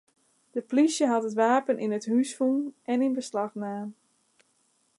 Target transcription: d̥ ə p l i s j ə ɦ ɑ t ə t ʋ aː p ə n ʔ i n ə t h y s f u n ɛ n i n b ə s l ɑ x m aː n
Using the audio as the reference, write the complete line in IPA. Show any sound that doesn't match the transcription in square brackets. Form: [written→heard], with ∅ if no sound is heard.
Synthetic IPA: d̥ ə p l i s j ə ɦ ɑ t ə t ʋ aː p ə n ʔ i n ə t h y s f u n ɛ n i n b ə s l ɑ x [m→n] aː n